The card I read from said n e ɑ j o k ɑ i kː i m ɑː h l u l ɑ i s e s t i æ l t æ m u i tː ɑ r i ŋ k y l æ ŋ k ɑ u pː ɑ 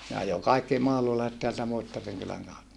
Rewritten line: n e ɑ j o k ɑ i kː i m ɑ h l u l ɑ i s e t t e æ l t æ m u i tː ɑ r i ŋ k y l æ ŋ k ɑ u tː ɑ